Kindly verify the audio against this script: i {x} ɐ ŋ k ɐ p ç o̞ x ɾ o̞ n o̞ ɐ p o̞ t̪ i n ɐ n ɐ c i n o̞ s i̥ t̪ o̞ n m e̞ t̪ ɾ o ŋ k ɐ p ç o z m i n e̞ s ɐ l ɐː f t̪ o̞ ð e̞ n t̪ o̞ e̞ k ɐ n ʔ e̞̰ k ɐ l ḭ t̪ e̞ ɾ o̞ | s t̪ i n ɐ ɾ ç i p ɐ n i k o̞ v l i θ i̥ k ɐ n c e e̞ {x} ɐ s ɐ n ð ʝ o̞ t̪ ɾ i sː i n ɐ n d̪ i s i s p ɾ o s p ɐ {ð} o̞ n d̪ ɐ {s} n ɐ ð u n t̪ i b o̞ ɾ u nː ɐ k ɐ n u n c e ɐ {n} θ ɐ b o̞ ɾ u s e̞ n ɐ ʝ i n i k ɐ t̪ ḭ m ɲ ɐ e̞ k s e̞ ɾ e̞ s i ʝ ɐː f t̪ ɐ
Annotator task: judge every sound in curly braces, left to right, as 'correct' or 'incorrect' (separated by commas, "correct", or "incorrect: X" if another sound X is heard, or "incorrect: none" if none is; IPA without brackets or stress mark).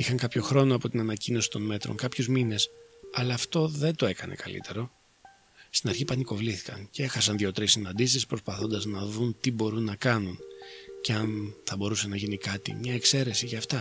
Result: correct, correct, incorrect: θ, incorrect: z, correct